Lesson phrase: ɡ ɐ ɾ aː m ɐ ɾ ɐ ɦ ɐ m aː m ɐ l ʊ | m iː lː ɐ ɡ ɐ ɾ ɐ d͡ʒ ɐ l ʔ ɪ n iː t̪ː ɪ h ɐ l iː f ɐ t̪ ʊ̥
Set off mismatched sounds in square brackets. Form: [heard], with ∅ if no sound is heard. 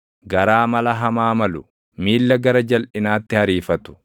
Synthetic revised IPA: ɡ ɐ ɾ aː m ɐ [l] ɐ ɦ ɐ m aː m ɐ l ʊ | m iː lː ɐ ɡ ɐ ɾ ɐ d͡ʒ ɐ l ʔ ɪ n [aː] t̪ː ɪ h ɐ [ɾ] iː f ɐ t̪ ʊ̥